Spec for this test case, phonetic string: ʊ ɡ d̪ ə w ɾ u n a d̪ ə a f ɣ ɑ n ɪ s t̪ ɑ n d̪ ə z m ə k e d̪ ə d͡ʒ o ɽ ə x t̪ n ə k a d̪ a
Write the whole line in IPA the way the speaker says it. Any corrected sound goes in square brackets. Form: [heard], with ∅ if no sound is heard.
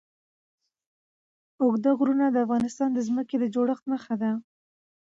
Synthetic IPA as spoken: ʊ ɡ d̪ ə [ɣ] ɾ u n a d̪ ə a f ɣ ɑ n ɪ s t̪ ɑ n d̪ ə z m ə k e d̪ ə d͡ʒ o ɽ ə x t̪ [m] ə [x] a d̪ a

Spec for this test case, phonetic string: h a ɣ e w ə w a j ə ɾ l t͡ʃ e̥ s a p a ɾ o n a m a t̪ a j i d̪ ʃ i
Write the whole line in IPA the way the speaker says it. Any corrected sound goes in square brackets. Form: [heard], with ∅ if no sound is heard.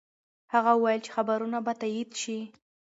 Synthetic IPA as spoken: h a ɣ [a] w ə w a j ə [∅] l t͡ʃ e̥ [x] a [b] a ɾ [u] n a [b] a t̪ a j i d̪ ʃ i

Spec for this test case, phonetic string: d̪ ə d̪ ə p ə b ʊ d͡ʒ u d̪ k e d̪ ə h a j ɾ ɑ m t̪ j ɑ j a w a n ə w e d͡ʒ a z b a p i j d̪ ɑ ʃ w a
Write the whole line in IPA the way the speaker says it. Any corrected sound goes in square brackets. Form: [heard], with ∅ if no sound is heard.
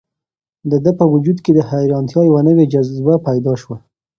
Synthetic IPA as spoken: d̪ ə d̪ ə p ə [w] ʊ d͡ʒ u d̪ k e d̪ ə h a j ɾ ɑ [n] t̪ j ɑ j a w a n ə w e d͡ʒ a z b a p [a] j d̪ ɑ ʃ w a

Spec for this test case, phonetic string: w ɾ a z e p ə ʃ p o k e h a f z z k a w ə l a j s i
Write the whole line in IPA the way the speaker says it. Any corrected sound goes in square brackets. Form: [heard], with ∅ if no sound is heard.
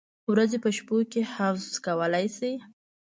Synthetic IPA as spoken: w ɾ a z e p ə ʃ p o k e h a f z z k a w ə l a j s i

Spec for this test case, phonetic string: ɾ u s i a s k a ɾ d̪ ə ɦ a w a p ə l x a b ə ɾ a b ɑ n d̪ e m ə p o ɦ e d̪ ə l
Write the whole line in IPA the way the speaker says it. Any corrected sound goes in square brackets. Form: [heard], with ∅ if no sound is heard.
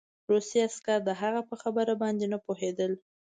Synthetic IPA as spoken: ɾ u s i a s k a ɾ d̪ ə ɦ a [ɣ] a p ə [∅] x a b ə ɾ a b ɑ n d̪ e [n] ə p o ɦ e d̪ ə l

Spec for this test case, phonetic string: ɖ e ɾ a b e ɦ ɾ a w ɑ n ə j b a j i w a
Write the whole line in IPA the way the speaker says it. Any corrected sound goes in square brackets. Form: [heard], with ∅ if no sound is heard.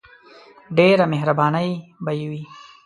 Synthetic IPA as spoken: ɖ e ɾ a [m] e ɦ ɾ a [b] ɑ n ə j b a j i w [i]

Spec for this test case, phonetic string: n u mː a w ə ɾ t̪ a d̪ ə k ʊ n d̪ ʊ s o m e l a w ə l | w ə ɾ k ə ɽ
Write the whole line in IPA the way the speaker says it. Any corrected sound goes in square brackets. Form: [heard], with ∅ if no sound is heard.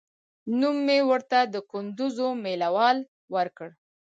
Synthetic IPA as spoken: n u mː [e] w ə ɾ t̪ a d̪ ə k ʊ n d̪ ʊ [z] o m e l a w [ɑ] l | w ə ɾ k ə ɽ

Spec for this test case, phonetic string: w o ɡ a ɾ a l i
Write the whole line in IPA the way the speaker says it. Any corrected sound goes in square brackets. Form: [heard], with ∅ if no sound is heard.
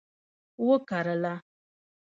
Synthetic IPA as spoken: w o [k] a ɾ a l [a]

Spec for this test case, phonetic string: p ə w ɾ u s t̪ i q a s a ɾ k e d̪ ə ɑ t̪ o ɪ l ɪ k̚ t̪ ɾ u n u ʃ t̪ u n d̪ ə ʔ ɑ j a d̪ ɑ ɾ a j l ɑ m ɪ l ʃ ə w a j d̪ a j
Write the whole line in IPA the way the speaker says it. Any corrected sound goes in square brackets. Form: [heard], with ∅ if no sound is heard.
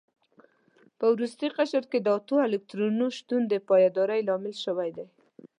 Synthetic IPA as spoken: p ə w ɾ u s t̪ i q a [ʃ] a ɾ k e d̪ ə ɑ t̪ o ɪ l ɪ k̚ t̪ ɾ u n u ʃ t̪ u n d̪ ə [p] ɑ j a d̪ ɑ ɾ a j l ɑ m ɪ l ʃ ə w a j d̪ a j

